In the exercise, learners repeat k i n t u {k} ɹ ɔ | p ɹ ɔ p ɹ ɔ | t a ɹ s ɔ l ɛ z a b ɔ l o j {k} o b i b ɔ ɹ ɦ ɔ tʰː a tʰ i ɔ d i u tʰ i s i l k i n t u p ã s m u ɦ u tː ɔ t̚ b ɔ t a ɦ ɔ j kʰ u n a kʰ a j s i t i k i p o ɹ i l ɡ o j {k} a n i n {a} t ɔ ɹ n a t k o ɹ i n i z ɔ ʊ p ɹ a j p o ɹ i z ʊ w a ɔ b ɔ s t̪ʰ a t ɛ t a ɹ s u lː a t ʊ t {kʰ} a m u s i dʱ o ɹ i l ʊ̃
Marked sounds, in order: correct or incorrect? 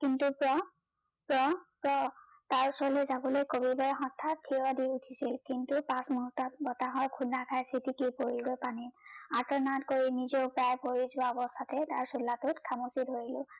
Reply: incorrect: p, correct, incorrect: p, correct, correct

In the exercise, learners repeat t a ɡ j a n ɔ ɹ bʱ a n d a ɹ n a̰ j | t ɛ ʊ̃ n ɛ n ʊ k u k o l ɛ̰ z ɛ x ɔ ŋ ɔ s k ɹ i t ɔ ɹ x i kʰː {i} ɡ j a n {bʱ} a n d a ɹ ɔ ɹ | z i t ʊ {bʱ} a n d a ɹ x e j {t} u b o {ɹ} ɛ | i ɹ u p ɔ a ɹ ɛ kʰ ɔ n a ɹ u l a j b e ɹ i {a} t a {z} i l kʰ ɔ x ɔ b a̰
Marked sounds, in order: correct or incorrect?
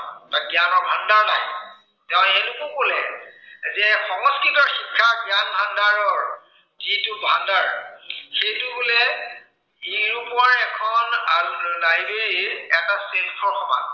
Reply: incorrect: a, correct, correct, correct, incorrect: l, incorrect: ɛ, incorrect: s

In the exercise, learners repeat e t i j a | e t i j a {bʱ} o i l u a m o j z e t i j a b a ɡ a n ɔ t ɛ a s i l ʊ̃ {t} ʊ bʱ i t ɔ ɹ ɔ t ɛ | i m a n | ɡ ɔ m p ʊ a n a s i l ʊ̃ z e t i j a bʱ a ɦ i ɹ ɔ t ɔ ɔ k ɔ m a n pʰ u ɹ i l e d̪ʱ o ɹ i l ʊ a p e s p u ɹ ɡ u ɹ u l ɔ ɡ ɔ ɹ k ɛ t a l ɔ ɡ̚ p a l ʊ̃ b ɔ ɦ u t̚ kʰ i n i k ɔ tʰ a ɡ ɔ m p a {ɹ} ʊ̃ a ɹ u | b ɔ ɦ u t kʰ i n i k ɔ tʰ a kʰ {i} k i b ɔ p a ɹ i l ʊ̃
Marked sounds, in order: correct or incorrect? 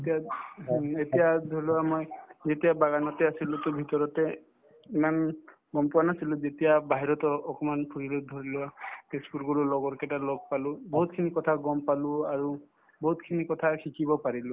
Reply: incorrect: dʱ, correct, incorrect: l, correct

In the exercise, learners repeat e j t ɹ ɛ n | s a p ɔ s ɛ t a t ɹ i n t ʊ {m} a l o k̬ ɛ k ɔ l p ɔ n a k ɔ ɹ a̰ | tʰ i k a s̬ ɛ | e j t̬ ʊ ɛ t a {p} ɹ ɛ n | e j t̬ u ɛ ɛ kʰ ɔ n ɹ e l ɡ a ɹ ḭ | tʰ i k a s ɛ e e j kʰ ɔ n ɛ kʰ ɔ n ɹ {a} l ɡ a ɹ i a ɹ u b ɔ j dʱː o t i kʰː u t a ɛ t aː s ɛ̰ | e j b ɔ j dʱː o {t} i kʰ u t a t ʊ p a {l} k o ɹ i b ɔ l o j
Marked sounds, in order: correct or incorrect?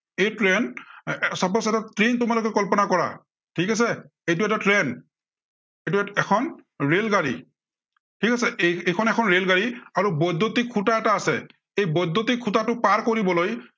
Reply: correct, incorrect: t, incorrect: e, correct, incorrect: ɹ

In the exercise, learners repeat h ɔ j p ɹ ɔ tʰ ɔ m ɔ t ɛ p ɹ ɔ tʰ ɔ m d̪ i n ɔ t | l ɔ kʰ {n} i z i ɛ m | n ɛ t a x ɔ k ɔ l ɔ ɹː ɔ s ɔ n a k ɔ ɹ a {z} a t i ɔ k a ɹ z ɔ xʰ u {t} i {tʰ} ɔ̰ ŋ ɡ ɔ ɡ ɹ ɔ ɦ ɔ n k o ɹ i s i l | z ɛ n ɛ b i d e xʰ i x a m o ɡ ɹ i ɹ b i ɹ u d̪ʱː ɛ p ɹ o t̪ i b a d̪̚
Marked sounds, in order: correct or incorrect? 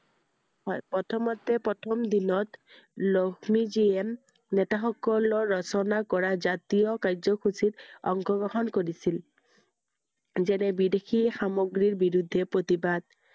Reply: incorrect: m, correct, incorrect: s, incorrect: t

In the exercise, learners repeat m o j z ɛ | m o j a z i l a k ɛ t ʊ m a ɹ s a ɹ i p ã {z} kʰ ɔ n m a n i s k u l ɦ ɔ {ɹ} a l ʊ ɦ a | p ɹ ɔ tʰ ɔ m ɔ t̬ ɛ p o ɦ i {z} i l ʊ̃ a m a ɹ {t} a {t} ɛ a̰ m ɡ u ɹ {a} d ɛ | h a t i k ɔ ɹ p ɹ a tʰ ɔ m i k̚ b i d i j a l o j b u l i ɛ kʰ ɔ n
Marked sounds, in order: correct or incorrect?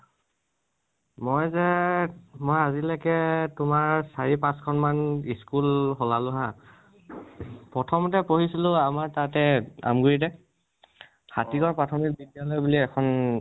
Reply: incorrect: s, incorrect: l, incorrect: s, correct, correct, incorrect: i

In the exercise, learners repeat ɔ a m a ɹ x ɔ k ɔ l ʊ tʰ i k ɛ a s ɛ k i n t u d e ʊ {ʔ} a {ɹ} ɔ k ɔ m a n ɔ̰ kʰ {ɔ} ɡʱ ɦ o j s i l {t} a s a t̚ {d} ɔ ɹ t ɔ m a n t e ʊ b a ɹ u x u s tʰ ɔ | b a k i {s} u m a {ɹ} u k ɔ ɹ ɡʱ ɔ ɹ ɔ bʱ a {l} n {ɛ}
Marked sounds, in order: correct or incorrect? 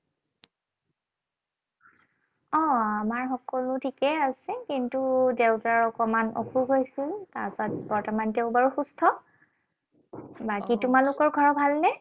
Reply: incorrect: t, correct, incorrect: u, correct, incorrect: b, incorrect: t, incorrect: l, correct, correct

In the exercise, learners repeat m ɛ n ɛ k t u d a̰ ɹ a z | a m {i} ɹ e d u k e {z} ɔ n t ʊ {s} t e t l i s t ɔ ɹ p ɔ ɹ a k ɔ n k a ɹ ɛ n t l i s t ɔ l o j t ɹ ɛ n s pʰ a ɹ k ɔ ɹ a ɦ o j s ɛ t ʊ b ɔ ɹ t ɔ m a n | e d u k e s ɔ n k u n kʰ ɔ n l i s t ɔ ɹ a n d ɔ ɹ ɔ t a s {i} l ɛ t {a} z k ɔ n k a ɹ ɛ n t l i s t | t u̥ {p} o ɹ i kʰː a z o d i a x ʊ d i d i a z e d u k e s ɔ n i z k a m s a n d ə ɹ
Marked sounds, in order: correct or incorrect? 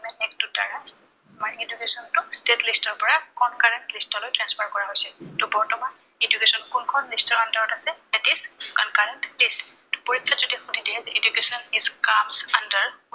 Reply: incorrect: a, incorrect: s, correct, incorrect: ɛ, incorrect: i, correct

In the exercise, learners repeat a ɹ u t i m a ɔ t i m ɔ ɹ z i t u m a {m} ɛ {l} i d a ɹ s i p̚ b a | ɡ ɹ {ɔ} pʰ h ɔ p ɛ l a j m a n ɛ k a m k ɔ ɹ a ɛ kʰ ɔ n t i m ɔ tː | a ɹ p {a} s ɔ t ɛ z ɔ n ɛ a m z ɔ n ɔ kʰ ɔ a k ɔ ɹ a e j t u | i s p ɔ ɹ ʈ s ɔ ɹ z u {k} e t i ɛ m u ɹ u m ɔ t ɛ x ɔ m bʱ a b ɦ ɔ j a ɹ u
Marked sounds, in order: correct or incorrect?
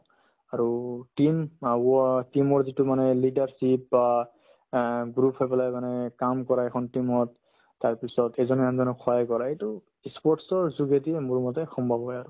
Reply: incorrect: n, correct, incorrect: u, incorrect: i, incorrect: ɡ

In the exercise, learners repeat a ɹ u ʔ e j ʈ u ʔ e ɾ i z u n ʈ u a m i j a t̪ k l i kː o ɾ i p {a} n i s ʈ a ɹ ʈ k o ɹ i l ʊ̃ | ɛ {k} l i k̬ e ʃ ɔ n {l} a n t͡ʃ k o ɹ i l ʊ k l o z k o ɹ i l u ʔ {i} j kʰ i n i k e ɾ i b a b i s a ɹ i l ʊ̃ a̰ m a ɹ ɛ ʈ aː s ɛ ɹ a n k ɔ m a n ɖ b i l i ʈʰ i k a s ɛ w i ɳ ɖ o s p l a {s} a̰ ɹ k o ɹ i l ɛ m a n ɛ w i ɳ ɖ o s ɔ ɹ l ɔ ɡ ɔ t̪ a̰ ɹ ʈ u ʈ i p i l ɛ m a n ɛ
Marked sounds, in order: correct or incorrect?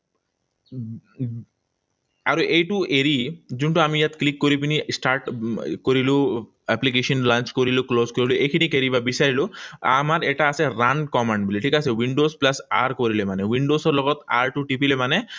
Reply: incorrect: i, incorrect: p, correct, incorrect: e, correct

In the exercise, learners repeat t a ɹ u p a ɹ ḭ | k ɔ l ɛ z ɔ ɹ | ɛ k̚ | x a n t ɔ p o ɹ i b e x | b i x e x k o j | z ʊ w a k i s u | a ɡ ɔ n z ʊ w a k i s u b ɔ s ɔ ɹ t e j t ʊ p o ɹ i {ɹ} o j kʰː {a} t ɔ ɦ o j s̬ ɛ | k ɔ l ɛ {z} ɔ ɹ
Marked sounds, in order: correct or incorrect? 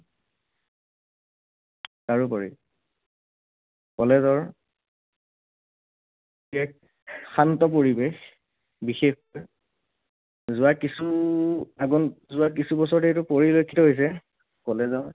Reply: incorrect: l, incorrect: i, correct

